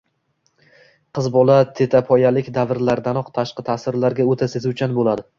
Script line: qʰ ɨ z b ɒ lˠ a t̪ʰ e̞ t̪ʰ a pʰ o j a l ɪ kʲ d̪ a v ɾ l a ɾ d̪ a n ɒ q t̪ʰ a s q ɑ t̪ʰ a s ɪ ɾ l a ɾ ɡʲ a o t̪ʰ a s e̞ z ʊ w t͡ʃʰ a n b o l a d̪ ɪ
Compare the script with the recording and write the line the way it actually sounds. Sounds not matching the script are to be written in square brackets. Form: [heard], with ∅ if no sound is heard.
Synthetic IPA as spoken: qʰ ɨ z b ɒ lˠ a t̪ʰ e̞ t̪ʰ a pʰ [ɒ] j a l ɪ kʲ d̪ a v ɾ l a ɾ d̪ a n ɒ q t̪ʰ a [ʃ] q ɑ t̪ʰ a s ɪ ɾ l a ɾ ɡʲ a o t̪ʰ a s e̞ z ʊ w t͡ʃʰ a n b o l a d̪ ɪ